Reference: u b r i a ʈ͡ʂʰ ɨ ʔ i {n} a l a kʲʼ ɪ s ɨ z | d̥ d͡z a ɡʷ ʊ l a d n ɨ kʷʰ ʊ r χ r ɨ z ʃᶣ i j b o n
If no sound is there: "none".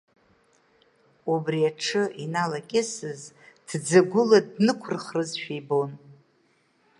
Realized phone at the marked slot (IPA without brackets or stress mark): n